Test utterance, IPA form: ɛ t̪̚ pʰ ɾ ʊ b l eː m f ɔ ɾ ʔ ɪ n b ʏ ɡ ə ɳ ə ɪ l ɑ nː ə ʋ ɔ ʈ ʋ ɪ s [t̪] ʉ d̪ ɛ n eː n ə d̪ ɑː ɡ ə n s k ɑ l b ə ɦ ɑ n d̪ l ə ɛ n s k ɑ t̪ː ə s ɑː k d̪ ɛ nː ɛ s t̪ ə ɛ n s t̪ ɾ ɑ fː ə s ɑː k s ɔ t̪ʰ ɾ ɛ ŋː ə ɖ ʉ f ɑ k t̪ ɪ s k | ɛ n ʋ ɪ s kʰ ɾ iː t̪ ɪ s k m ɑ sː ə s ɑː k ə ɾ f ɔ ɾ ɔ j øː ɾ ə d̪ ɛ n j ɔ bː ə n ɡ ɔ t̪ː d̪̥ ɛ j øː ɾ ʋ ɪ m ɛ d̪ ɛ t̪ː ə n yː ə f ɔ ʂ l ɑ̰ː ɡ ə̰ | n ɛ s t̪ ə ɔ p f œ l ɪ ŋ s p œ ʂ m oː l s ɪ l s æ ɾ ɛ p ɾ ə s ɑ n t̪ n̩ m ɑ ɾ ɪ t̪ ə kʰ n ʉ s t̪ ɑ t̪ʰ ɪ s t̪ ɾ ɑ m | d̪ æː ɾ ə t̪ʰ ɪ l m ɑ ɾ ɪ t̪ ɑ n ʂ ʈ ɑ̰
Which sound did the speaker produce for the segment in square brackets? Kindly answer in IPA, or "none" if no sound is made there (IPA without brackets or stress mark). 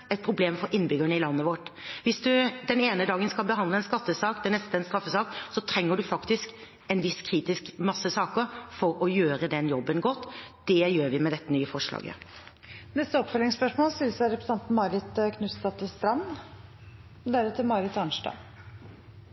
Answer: d̪